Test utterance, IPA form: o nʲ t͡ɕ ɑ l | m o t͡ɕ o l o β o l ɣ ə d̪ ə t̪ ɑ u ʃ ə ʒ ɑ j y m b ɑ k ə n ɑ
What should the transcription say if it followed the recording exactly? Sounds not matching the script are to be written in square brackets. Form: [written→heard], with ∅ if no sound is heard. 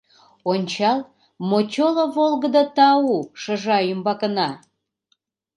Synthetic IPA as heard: o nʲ t͡ɕ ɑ l | m o t͡ɕ o l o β o l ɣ ə d̪ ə t̪ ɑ u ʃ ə ʒ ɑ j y m b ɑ k ə n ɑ